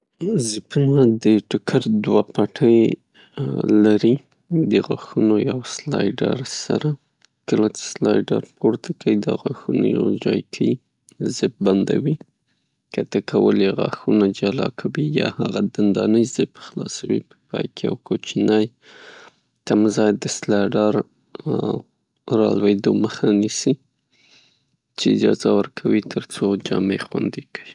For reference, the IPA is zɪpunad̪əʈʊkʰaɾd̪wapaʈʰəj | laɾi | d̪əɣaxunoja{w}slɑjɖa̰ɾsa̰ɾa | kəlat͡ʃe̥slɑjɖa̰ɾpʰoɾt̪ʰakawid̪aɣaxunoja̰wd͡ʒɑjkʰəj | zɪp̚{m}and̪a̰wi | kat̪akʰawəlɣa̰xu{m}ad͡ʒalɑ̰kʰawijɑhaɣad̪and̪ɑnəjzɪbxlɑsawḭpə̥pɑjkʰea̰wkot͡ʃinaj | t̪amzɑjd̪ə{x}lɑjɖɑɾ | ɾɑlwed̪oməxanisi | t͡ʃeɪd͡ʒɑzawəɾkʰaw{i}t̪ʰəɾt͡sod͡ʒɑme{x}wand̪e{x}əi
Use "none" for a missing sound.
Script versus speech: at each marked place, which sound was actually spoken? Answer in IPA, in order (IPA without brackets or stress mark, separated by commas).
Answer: w, b, n, s, i, x, k